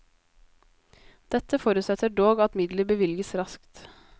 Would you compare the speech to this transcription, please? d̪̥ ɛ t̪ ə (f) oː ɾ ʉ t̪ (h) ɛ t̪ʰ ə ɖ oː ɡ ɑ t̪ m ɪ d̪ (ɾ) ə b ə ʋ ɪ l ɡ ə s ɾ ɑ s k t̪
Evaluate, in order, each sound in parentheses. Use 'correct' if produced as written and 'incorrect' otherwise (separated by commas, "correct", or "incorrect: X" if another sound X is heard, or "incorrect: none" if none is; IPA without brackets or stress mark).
correct, incorrect: s, incorrect: l